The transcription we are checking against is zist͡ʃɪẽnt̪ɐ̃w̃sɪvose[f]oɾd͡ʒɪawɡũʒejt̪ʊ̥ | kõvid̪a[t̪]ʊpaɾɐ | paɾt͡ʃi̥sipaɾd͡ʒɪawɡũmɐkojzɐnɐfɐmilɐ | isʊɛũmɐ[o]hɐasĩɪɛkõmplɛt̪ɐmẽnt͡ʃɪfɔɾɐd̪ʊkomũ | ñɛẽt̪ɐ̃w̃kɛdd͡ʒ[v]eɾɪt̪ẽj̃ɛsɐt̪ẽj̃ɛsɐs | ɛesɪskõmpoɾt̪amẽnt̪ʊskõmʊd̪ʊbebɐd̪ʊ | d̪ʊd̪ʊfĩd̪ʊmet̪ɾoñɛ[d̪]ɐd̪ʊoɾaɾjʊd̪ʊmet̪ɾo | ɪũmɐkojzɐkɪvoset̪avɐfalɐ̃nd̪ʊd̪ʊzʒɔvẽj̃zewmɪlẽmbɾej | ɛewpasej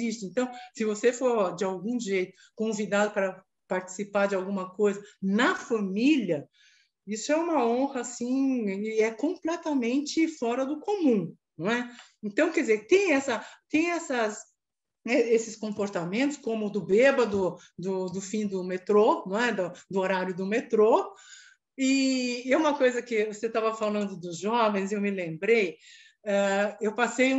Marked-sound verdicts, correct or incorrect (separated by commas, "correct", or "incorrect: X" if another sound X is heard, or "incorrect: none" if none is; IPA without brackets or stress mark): correct, incorrect: d̪, incorrect: õ, incorrect: z, correct